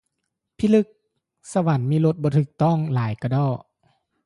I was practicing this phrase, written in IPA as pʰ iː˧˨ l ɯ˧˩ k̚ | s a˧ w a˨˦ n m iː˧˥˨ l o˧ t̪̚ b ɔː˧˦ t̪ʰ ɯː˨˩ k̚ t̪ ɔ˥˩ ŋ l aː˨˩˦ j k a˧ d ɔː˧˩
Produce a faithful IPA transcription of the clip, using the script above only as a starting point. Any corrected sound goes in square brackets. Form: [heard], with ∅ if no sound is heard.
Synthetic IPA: pʰ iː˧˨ l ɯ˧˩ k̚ | s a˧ w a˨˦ n m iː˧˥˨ l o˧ t̪̚ b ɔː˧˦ t̪ʰ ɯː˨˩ k̚ t̪ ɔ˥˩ ŋ l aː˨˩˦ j k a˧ d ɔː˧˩